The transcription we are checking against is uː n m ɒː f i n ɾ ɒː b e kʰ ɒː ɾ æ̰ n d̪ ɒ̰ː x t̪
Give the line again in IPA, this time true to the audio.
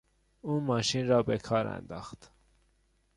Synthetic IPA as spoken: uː n m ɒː ʃ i n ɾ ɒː b e kʰ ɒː ɾ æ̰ n d̪ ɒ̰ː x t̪